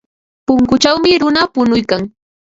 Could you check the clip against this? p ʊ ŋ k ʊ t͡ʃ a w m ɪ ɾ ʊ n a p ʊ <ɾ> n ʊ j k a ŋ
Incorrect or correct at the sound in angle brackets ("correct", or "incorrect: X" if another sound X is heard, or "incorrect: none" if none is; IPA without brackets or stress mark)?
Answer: incorrect: none